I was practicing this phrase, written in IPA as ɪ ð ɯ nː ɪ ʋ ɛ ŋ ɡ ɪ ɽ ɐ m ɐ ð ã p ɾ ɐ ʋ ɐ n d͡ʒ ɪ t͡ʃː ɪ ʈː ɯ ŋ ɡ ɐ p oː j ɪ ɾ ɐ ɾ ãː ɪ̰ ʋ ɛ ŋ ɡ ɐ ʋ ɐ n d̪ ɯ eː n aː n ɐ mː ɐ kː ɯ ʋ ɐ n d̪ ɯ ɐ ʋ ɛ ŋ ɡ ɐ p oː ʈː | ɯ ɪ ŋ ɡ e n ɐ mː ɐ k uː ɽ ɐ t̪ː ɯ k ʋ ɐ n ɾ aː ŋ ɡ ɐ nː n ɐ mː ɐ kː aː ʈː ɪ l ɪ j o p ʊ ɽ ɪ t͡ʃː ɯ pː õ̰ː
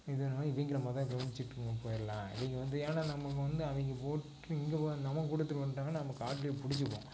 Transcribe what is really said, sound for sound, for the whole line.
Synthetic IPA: ɪ ð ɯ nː ɪ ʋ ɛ ŋ ɡ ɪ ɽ ɐ m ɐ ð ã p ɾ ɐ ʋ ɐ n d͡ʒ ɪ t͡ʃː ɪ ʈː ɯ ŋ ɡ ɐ p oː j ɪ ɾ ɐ l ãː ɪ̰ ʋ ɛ ŋ ɡ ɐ ʋ ɐ n d̪ ɯ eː n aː n ɐ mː ɐ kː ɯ ʋ ɐ n d̪ ɯ ɐ ʋ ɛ ŋ ɡ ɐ p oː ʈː | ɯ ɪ ŋ ɡ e n ɐ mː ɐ k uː ɽ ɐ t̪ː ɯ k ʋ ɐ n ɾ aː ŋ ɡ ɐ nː n ɐ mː ɐ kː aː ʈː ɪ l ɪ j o p ʊ ɽ ɪ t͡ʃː ɯ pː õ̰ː